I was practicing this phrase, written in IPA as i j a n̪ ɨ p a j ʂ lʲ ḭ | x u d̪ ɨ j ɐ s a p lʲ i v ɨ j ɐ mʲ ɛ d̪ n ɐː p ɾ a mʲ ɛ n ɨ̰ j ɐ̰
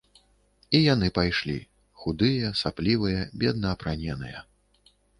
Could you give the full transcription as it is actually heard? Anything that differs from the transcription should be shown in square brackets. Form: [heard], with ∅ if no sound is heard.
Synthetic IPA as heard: i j a n̪ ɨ p a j ʂ lʲ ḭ | x u d̪ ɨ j ɐ s a p lʲ i v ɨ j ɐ [bʲ] ɛ d̪ n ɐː p ɾ a [nʲ] ɛ n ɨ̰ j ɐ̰